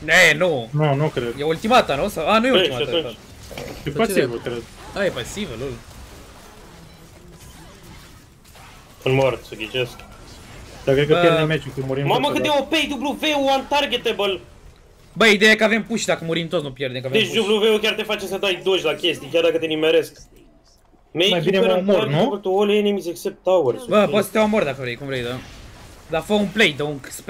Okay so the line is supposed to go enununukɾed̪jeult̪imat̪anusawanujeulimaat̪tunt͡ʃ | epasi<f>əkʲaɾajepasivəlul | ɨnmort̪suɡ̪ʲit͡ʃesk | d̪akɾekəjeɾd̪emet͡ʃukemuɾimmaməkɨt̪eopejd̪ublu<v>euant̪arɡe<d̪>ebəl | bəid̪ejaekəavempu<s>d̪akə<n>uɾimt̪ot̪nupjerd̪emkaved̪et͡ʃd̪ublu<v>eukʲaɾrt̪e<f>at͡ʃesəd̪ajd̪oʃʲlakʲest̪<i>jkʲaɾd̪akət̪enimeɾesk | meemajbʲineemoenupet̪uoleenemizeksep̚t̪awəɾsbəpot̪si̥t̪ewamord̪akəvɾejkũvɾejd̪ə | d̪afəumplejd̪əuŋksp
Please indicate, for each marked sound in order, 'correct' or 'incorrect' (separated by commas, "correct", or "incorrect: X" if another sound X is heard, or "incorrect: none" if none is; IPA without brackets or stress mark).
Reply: incorrect: v, correct, incorrect: t̪, incorrect: ʃ, incorrect: m, correct, correct, correct